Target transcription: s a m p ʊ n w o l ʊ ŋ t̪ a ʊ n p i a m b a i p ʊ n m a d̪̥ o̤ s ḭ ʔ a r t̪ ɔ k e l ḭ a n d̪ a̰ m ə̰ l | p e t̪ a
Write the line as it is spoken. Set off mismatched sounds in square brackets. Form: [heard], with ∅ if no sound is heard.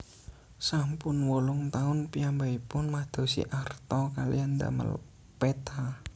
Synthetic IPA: s a m p ʊ n w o l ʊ ŋ t̪ a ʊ n p i a m b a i p ʊ n m a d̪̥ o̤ s ḭ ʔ a r t̪ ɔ k [a] l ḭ a n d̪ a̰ m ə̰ l | p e t̪ a